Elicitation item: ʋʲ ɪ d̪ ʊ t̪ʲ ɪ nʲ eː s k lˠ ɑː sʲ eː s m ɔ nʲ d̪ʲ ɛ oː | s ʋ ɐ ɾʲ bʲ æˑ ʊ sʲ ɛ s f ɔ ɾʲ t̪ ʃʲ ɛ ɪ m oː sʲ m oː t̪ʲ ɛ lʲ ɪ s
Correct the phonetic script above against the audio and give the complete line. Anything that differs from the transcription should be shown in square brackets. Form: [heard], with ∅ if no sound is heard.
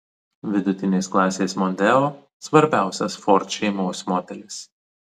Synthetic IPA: ʋʲ ɪ d̪ ʊ t̪ʲ ɪ nʲ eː s k lˠ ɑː sʲ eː s m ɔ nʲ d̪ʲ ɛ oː | s ʋ ɐ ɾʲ bʲ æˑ ʊ sʲ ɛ s f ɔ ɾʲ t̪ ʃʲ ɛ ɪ m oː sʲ m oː t̪ʲ ɛ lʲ ɪ s